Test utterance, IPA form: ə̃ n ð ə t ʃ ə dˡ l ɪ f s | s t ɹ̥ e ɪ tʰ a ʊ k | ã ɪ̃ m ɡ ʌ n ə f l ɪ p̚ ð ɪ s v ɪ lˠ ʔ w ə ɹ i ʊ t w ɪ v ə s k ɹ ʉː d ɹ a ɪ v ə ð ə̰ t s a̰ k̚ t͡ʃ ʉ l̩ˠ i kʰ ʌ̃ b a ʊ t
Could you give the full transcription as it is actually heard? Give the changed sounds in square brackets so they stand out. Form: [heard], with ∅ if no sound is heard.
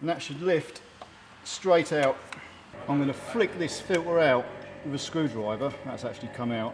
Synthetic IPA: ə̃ n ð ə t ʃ ə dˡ l ɪ f [t] | s t ɹ̥ e ɪ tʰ a ʊ [t] | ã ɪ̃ m ɡ ʌ n ə f l ɪ [k̚] ð ɪ s [f] ɪ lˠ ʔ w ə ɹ [a] ʊ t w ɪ v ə s k ɹ ʉː d ɹ a ɪ v ə ð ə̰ t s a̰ k̚ t͡ʃ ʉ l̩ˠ i kʰ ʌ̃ [m] a ʊ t